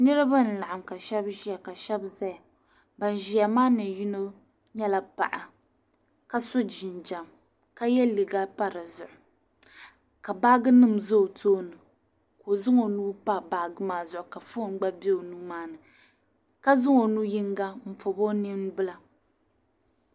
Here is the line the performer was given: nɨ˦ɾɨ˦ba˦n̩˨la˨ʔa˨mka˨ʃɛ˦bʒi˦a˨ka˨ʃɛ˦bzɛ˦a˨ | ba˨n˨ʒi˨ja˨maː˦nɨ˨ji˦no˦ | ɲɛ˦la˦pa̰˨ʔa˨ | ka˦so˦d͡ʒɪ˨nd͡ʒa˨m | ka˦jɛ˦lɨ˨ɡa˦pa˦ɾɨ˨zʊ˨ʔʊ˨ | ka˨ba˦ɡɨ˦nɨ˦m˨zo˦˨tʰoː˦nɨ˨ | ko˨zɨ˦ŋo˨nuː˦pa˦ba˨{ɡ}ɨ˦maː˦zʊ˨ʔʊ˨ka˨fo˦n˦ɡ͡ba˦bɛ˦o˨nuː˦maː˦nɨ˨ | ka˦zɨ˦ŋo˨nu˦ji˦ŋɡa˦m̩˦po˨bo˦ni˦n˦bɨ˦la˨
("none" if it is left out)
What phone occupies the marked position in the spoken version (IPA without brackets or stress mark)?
ɡ